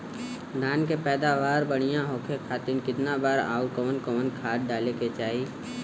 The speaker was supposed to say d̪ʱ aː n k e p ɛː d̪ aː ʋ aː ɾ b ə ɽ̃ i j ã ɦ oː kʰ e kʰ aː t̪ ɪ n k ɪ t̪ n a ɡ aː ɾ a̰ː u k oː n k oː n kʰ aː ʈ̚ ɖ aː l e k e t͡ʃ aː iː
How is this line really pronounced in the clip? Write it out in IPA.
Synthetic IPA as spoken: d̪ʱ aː n k e p ɛː d̪ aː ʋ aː ɾ b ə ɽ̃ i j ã ɦ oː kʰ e kʰ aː t̪ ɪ n k ɪ t̪ n a b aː ɾ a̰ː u k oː n k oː n kʰ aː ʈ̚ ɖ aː l e k e t͡ʃ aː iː